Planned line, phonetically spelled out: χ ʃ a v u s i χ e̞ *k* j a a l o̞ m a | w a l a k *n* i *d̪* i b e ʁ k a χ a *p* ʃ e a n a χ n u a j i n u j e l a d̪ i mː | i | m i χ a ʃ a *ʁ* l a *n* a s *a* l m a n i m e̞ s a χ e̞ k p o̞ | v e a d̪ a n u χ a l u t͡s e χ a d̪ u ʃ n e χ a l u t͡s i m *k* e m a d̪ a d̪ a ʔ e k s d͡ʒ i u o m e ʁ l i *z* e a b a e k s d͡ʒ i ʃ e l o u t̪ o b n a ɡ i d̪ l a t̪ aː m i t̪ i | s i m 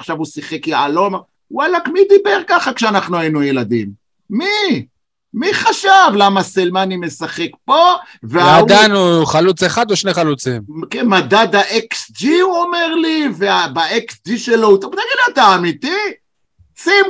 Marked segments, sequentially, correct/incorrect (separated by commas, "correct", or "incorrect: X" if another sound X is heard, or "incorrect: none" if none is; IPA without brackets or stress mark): correct, incorrect: m, correct, incorrect: k, incorrect: v, incorrect: m, incorrect: e, correct, incorrect: v